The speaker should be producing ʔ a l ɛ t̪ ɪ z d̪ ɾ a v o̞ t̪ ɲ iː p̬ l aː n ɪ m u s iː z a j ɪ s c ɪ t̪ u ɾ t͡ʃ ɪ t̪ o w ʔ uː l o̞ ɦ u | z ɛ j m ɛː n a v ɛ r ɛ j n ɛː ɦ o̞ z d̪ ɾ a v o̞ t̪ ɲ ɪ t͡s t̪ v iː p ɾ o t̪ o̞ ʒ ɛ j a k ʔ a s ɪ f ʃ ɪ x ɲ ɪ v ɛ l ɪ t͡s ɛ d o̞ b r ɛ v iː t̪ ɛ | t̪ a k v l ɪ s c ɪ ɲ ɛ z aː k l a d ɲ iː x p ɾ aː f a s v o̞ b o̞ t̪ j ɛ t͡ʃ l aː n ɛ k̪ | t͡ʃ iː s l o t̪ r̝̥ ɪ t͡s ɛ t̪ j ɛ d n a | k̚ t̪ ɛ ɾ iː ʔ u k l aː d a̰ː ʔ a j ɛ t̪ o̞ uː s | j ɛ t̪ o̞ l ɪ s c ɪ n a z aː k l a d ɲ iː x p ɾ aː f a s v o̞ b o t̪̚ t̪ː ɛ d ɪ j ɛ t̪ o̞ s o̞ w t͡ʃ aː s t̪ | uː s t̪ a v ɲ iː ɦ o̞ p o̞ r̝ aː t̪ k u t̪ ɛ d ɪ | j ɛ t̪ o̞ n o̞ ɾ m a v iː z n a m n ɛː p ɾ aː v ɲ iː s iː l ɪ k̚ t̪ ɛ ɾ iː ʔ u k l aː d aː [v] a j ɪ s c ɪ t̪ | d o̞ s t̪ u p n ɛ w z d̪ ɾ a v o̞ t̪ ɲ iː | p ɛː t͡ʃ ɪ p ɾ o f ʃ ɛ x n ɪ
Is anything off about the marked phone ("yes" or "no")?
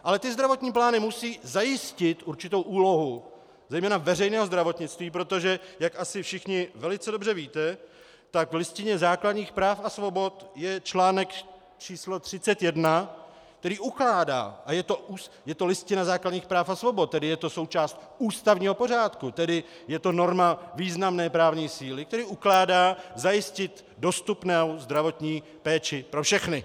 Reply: yes